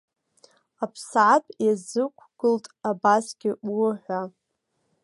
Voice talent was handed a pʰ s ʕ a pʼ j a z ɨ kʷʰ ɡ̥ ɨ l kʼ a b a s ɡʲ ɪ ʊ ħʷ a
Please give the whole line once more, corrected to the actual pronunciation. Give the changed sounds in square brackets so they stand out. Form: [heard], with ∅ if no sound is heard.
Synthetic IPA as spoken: a pʰ s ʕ a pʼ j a z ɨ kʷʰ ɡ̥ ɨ l [tʼ] a b a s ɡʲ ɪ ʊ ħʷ a

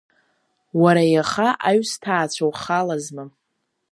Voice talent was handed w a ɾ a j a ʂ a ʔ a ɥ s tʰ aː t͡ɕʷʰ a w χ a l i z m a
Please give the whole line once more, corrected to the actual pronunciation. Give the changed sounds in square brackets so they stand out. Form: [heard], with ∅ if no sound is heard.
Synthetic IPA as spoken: w a ɾ a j a [χ] a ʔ a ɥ s tʰ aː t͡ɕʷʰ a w χ a l [a] z m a

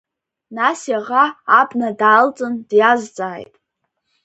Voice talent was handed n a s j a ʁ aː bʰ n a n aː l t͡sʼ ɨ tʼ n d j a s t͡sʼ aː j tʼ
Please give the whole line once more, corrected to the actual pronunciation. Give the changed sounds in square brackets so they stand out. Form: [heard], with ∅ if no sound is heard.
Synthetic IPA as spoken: n a s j a ʁ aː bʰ n a [d] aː l t͡sʼ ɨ [∅] n d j a [z] t͡sʼ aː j tʼ

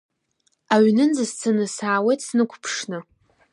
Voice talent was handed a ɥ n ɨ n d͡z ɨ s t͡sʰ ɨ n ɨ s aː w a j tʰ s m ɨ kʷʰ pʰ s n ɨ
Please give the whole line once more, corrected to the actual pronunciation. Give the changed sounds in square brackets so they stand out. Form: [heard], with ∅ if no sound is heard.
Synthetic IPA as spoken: a ɥ n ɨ n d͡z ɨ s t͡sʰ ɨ n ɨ s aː w [e] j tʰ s [n] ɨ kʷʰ pʰ [ʂ] n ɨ

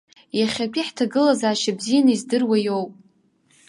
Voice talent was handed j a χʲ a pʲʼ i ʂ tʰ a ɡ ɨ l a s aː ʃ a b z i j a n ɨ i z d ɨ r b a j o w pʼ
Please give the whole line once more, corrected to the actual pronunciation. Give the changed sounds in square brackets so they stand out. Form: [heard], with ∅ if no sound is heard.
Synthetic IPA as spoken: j a χʲ a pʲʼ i [ħ] tʰ a ɡ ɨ l a [z] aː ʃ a b z i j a n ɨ i z d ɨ r [w] a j o w pʼ

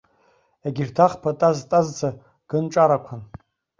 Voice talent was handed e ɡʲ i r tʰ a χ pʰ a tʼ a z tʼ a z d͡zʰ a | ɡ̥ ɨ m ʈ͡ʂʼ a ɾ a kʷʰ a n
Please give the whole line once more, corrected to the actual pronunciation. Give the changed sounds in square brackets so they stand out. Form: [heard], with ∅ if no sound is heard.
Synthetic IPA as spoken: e ɡʲ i r tʰ a χ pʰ a tʼ a z tʼ a z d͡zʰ a | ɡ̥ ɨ [n] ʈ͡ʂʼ a ɾ a kʷʰ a n

